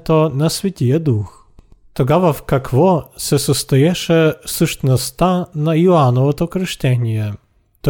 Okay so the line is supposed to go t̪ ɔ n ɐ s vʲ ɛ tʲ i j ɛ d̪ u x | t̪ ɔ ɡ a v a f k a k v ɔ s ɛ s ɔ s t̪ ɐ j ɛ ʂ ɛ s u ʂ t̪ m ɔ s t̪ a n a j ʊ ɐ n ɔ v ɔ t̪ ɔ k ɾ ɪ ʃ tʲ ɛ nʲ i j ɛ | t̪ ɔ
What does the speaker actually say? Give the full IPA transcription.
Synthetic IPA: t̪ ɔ n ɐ s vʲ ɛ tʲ i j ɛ d̪ u x | t̪ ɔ ɡ a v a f k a k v ɔ s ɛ s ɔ s t̪ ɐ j ɛ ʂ ɛ s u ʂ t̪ n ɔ s t̪ a n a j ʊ a n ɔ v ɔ t̪ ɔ k ɾ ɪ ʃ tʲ ɛ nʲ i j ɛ | t̪ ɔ